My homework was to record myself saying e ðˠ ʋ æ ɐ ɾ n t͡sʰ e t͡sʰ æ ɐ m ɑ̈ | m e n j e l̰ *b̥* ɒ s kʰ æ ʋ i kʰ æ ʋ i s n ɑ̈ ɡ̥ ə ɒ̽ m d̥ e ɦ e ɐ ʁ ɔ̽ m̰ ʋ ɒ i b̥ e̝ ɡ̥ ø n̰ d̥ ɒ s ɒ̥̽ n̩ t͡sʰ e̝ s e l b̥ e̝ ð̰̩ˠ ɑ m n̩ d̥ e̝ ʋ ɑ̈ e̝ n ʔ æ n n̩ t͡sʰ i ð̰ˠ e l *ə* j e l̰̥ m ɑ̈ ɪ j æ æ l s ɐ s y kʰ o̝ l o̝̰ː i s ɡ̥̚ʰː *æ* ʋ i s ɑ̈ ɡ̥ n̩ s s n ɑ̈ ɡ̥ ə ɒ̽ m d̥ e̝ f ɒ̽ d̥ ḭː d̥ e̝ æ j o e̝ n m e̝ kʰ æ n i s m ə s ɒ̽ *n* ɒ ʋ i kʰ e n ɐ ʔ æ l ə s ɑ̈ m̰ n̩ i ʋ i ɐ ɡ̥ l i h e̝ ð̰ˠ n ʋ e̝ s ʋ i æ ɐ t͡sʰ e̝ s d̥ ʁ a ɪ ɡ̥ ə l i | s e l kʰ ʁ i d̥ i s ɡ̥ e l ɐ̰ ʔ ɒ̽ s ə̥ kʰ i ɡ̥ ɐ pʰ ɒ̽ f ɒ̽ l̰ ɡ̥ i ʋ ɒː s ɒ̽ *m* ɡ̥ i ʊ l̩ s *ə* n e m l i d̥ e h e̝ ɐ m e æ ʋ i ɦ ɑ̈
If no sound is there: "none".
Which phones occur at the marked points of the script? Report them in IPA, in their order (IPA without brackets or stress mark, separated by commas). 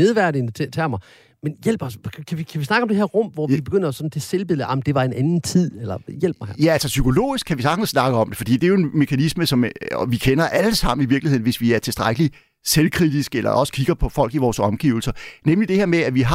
b̥, ɐ, æ, m, m, ɐ